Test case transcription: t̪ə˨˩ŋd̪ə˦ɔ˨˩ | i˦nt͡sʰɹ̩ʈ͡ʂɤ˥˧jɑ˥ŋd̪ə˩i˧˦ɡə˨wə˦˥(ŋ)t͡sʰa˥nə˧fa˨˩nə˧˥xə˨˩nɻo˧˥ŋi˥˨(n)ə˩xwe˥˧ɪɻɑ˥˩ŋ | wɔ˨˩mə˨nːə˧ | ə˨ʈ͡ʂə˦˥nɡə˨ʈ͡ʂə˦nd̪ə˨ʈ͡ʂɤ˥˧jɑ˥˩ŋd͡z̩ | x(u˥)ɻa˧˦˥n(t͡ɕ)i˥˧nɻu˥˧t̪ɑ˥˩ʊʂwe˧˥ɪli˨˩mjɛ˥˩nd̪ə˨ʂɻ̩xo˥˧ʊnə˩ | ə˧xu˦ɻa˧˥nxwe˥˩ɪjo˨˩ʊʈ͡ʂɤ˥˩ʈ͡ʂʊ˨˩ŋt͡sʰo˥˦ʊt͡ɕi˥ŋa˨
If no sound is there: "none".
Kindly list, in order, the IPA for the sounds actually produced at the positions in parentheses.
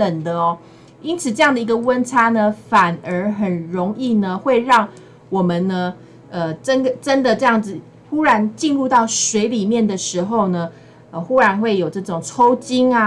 n, n, u˥, t͡ɕ

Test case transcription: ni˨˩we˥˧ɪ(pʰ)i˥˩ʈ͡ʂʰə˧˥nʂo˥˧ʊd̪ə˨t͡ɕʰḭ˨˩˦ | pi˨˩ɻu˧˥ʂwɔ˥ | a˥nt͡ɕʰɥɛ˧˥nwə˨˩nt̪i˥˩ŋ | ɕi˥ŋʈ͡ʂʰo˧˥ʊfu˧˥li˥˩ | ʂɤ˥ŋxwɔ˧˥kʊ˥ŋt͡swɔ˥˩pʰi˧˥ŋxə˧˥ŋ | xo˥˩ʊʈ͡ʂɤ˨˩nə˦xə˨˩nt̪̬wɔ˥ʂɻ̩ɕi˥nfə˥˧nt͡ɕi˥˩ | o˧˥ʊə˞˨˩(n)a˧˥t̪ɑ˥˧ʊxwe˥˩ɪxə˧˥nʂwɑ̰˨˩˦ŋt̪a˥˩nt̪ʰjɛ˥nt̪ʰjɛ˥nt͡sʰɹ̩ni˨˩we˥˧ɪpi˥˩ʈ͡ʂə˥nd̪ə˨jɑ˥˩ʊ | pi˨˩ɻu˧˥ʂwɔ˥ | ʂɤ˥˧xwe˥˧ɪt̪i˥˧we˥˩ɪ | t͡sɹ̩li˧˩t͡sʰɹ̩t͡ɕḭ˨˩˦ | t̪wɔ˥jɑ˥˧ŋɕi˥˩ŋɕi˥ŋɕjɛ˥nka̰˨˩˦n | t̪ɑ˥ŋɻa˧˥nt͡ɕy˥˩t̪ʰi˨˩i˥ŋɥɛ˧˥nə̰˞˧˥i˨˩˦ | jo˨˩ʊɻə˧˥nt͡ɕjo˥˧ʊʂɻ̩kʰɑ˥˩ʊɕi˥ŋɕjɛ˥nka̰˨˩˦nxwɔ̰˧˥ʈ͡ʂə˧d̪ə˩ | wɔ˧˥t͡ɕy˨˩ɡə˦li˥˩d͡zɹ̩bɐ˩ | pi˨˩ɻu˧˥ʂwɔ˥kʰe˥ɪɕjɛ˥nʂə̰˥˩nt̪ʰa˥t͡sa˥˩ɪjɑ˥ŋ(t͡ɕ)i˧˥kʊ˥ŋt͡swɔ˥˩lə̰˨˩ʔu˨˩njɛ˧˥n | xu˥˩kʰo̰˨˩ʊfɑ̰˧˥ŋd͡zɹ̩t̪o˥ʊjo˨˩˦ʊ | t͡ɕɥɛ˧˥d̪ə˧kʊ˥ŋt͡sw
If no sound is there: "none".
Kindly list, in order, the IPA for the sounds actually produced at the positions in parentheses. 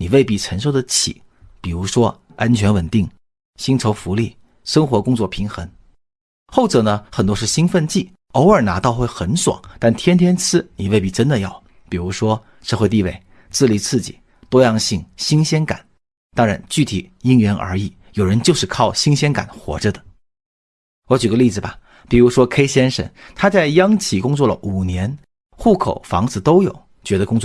p, n, t͡ɕʰ

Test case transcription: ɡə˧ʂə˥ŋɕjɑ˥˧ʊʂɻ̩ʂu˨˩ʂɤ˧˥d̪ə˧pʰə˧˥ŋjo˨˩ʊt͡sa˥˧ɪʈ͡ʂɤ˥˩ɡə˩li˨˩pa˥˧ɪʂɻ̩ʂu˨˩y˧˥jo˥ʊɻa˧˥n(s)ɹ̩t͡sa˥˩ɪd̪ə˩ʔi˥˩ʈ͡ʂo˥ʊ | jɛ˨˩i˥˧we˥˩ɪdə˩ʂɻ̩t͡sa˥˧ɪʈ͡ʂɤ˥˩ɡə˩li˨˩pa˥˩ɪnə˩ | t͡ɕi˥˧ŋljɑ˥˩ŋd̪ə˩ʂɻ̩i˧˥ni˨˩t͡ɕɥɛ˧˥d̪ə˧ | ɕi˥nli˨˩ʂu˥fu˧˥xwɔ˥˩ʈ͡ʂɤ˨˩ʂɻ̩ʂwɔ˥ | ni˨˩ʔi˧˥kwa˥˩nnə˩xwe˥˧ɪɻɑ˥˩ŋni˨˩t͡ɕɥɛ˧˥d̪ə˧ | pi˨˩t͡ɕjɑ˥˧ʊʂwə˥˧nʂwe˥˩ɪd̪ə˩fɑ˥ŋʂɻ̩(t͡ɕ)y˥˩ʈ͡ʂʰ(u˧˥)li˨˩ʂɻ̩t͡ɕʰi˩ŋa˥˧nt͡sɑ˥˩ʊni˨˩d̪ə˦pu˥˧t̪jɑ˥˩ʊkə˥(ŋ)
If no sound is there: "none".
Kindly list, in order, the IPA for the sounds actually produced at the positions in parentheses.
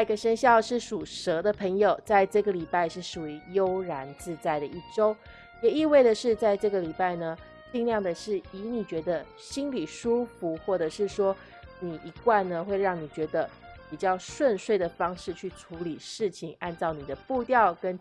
t͡s, t͡ɕʰ, u˧˥, n

